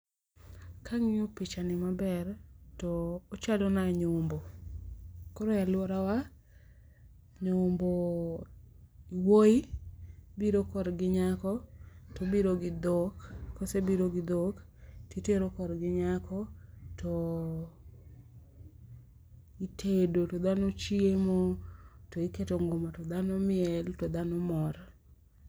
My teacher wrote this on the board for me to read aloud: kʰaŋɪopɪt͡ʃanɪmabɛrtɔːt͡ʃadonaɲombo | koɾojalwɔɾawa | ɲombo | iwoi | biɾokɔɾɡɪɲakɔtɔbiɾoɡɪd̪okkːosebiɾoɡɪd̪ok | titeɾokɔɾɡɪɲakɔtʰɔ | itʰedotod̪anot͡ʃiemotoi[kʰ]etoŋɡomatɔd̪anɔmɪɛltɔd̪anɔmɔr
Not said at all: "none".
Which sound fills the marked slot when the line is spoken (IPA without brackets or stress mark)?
k